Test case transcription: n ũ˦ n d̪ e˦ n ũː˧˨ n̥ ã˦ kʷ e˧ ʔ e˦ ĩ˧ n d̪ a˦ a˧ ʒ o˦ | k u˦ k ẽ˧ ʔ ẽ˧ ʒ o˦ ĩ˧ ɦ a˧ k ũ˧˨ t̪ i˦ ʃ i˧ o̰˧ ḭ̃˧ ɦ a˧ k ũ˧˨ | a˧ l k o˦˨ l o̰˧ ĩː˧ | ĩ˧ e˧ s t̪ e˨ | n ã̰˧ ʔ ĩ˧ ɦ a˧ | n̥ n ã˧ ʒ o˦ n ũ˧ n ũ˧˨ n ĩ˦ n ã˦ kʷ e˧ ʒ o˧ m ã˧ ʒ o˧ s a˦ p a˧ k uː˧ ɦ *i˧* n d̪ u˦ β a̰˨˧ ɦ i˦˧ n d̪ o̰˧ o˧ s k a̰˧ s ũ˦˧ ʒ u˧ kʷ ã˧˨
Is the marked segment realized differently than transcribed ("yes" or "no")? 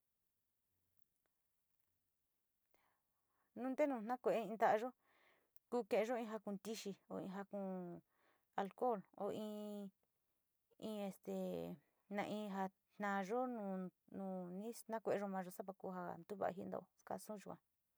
yes